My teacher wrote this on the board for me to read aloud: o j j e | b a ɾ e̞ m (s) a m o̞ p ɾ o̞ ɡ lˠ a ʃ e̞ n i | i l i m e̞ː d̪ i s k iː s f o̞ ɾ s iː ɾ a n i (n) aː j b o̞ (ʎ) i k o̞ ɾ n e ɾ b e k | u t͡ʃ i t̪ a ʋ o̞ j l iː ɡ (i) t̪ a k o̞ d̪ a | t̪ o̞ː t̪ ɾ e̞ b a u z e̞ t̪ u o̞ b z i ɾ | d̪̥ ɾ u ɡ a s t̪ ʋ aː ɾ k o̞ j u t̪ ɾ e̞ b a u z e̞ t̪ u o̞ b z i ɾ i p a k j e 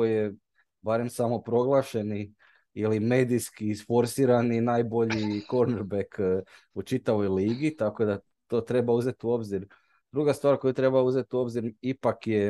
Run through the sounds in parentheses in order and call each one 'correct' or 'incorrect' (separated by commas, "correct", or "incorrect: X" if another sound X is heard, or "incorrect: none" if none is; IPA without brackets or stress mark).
correct, correct, correct, correct